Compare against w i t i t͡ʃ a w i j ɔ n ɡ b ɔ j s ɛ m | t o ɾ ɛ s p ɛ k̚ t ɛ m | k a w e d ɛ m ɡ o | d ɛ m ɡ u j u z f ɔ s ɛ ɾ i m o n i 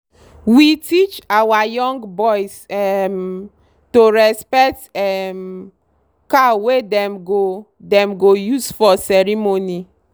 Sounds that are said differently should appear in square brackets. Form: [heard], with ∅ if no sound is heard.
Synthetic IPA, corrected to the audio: w i t i t͡ʃ a w [a] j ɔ [ŋ] ɡ b ɔ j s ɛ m | t o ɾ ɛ s p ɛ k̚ t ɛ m | k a w e d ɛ m ɡ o | d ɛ m ɡ [o] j u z f ɔ s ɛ ɾ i m o n i